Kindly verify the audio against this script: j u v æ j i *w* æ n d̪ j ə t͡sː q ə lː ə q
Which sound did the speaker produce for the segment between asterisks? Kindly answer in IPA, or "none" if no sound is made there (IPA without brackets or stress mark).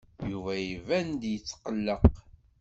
v